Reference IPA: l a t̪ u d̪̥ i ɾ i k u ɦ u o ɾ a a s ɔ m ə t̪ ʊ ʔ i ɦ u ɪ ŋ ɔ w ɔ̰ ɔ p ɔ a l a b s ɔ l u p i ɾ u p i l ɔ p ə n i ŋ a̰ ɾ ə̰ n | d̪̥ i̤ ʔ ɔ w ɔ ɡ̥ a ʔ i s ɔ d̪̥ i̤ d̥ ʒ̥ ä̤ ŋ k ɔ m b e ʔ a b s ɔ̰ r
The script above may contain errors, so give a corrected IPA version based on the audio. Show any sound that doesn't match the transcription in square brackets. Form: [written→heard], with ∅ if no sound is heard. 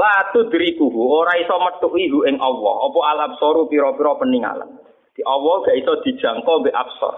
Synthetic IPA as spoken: l a t̪ u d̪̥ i ɾ i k u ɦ u o ɾ a [a→i] s ɔ m ə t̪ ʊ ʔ i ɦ u ɪ ŋ ɔ w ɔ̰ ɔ p ɔ a l a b s ɔ [l→ɾ] u p i ɾ [u→ɔ] p i [l→ɾ] ɔ p ə n i ŋ a̰ [ɾ→l] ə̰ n | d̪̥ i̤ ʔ ɔ w ɔ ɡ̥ a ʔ i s ɔ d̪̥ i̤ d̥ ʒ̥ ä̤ ŋ k ɔ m b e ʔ a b s ɔ̰ r